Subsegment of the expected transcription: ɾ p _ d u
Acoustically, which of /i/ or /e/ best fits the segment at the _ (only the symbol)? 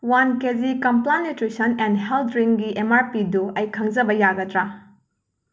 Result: i